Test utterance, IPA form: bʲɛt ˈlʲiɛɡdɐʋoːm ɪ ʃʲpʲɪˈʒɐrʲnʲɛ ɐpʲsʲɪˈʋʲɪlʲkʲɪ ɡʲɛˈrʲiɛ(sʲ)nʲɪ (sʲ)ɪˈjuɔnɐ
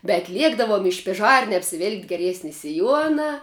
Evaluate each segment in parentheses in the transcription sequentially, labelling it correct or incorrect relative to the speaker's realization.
correct, correct

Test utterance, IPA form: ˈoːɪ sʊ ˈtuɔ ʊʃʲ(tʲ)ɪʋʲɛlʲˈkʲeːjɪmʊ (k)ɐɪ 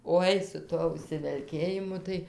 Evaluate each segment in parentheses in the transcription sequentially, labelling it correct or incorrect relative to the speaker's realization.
incorrect, incorrect

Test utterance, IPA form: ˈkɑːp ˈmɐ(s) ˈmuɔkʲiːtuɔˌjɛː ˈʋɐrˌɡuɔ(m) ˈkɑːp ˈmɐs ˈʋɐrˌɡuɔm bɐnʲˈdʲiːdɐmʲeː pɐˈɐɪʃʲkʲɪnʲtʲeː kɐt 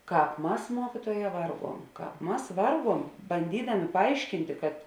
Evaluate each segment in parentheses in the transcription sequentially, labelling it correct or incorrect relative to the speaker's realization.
correct, correct

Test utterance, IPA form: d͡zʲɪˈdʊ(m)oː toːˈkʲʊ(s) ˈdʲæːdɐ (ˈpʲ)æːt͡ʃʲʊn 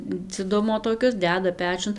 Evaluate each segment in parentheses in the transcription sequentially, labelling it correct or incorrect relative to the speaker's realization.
correct, correct, correct

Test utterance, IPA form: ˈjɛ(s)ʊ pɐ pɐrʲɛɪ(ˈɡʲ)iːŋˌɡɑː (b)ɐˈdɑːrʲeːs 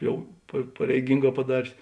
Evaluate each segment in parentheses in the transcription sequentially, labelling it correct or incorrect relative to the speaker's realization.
incorrect, correct, incorrect

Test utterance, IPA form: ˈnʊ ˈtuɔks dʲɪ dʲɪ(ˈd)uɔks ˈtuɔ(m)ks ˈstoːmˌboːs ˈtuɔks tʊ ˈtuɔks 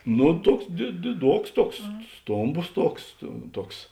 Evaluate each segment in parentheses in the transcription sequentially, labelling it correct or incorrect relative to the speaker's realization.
correct, incorrect

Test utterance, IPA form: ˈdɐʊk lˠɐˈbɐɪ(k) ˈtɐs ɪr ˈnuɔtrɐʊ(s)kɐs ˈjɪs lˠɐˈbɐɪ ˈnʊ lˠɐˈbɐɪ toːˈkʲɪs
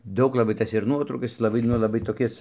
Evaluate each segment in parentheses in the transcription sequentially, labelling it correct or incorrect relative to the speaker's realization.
incorrect, incorrect

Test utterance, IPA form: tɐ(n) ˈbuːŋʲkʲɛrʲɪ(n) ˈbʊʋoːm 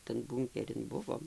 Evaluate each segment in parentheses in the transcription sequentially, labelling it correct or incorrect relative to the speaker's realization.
correct, correct

